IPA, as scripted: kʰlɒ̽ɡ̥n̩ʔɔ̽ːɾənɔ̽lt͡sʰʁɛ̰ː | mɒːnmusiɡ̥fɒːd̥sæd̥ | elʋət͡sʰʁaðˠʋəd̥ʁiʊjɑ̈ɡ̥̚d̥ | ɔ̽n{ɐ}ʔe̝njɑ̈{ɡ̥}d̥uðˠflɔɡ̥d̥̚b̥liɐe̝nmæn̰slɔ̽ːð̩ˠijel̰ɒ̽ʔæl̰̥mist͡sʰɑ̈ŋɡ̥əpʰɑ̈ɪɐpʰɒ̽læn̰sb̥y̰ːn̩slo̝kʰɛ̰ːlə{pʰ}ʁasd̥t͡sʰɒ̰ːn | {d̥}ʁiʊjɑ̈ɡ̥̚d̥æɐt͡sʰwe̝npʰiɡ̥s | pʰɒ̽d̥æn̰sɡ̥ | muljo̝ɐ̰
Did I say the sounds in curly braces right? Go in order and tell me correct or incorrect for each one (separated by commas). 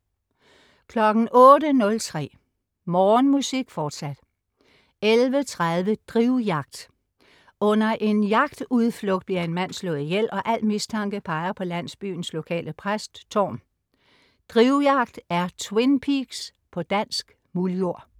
correct, correct, correct, correct